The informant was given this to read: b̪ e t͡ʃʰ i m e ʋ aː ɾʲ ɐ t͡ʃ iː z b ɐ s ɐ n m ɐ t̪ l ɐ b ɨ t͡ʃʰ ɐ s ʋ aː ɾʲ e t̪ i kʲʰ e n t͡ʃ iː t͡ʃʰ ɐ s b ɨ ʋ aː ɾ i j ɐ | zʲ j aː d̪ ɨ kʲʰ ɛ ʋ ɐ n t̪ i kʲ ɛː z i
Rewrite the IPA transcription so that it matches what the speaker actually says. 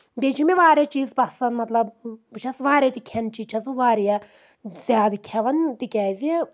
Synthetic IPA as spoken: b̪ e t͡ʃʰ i m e ʋ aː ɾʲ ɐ t͡ʃ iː z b ɐ s ɐ n m ɐ t̪ l ɐ b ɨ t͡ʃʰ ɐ s ʋ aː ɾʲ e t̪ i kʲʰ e n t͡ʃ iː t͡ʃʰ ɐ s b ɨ ʋ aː ɾ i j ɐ | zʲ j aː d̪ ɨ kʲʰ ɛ ʋ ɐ n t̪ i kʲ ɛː z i